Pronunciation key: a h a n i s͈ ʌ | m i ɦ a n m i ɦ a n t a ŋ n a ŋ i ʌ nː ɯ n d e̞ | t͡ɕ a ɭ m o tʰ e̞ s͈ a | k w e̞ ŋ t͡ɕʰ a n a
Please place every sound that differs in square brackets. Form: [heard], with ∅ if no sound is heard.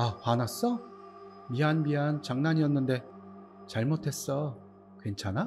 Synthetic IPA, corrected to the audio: a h a n [a] s͈ ʌ | m i ɦ a n m i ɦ a n [t͡ɕ] a ŋ n a [ɲ] i ʌ nː ɯ n d e̞ | t͡ɕ a ɭ m o tʰ e̞ s͈ [ʌ] | k w e̞ [n] t͡ɕʰ a n a